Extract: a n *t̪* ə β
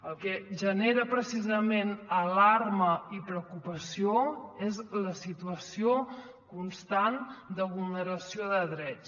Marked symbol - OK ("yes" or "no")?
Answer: no